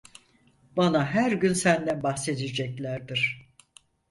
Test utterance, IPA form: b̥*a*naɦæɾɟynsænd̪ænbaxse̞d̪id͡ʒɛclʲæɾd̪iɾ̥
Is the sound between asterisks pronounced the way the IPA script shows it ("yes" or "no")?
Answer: yes